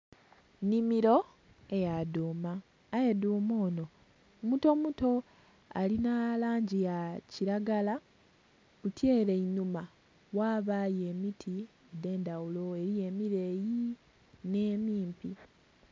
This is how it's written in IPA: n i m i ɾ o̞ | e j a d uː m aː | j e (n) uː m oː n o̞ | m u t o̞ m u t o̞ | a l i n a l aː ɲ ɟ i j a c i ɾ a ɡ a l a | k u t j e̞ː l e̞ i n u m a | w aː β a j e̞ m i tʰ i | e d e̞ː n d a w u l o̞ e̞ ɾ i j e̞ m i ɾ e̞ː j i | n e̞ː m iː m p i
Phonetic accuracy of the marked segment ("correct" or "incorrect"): incorrect